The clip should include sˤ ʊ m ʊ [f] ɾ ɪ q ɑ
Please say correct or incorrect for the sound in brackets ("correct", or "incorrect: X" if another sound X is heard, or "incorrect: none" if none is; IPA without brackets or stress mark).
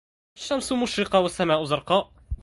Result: incorrect: ʃ